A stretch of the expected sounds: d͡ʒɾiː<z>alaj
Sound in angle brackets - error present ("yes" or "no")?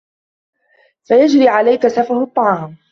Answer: yes